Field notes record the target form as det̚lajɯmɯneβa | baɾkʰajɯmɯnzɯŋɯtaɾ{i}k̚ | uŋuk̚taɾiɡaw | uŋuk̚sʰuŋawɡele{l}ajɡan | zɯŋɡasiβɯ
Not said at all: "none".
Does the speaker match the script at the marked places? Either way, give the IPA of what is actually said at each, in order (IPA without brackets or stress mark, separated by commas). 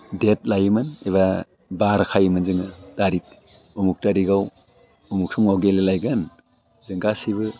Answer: i, l